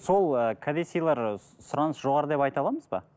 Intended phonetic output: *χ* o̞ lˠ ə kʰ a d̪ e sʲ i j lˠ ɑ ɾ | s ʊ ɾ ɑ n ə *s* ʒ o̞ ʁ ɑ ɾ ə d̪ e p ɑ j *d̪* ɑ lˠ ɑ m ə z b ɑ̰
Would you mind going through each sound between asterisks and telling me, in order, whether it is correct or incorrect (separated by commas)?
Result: incorrect, correct, incorrect